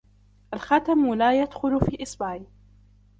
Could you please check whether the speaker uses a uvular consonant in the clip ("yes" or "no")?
no